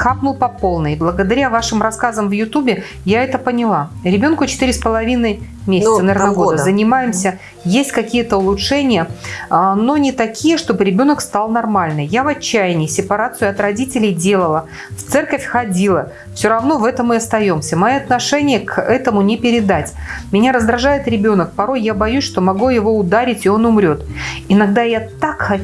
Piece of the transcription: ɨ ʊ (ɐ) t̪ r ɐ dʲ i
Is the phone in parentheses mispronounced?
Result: no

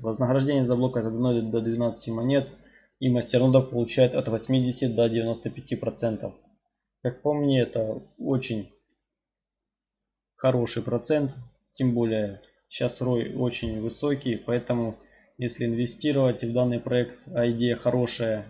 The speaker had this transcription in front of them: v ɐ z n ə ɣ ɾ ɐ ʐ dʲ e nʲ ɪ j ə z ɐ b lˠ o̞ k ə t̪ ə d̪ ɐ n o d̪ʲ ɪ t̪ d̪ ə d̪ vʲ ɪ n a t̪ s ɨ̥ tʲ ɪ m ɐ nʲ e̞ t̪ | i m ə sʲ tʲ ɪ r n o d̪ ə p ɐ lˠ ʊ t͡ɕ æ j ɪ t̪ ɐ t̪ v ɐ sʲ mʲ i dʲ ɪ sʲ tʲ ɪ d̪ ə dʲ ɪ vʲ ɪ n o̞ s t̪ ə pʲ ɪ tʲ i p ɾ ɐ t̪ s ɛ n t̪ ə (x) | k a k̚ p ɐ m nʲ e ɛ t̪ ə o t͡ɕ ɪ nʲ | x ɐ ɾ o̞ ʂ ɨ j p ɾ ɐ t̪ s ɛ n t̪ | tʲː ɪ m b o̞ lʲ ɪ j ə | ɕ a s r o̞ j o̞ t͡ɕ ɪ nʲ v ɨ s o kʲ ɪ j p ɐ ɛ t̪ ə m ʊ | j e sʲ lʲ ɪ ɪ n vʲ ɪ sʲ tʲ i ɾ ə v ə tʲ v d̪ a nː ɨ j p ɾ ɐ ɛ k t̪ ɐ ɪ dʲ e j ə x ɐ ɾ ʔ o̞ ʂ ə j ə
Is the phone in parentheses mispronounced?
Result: yes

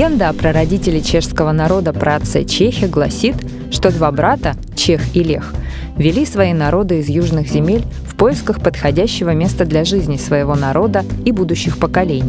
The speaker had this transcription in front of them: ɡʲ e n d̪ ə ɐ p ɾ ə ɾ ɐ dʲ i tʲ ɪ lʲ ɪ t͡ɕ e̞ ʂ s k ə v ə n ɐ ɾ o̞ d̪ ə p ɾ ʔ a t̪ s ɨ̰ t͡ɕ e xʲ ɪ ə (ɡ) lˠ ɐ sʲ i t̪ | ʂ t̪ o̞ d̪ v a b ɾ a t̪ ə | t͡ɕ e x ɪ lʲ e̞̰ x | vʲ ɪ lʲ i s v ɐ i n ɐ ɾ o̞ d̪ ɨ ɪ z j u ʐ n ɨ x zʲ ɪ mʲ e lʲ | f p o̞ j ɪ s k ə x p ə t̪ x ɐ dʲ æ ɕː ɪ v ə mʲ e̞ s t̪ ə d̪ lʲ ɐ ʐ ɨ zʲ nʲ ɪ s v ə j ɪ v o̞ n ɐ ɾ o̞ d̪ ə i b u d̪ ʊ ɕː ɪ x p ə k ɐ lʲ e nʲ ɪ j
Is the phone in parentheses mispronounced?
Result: no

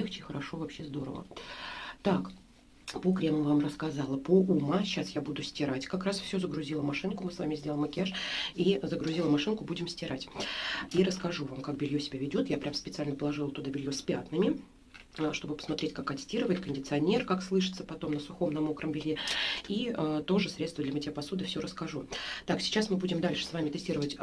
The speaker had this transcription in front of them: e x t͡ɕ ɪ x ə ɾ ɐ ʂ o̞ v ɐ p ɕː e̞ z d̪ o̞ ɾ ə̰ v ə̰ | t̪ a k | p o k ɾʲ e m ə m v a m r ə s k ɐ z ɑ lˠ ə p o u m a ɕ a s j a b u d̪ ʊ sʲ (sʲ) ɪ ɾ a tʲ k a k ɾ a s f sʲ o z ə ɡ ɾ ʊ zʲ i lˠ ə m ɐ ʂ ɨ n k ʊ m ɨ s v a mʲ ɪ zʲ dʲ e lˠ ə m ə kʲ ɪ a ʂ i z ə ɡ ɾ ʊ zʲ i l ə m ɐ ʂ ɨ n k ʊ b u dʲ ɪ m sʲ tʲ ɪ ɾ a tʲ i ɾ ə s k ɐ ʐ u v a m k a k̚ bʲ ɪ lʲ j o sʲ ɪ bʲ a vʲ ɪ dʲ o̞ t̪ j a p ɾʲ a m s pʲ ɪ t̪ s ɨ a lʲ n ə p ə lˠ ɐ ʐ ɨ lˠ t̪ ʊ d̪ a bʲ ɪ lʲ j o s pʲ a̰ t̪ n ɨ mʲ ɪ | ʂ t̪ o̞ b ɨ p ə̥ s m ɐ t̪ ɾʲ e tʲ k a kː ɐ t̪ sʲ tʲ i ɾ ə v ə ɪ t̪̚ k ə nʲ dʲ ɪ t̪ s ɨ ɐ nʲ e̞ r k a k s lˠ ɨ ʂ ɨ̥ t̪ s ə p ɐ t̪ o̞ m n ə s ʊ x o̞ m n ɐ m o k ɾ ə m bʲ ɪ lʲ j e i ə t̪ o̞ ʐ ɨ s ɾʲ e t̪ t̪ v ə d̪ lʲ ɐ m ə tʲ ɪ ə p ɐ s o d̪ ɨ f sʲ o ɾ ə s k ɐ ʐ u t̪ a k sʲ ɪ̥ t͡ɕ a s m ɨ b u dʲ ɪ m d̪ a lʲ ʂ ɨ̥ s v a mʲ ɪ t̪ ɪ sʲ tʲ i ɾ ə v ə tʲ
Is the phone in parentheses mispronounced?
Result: yes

